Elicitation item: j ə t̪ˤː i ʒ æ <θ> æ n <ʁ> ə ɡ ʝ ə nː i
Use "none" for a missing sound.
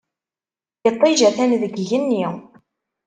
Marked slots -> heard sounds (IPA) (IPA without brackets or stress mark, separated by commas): θ, ð